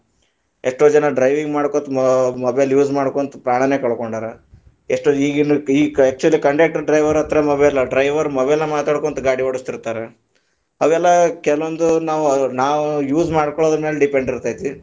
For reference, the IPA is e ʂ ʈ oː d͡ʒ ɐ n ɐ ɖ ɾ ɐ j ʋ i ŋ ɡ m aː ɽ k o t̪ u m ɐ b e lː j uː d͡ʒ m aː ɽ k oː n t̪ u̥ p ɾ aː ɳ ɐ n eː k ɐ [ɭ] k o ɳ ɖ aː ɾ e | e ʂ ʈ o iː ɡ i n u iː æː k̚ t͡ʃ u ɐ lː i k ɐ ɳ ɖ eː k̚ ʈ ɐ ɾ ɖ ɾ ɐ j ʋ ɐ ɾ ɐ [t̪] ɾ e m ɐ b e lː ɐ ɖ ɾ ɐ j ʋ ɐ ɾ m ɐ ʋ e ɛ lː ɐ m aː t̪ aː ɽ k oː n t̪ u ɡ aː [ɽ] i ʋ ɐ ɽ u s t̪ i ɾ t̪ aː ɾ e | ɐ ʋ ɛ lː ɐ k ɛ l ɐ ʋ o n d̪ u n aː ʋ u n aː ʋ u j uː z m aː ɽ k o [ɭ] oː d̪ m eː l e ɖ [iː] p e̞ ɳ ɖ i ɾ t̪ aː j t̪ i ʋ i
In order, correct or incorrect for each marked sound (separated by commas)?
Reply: correct, correct, correct, correct, incorrect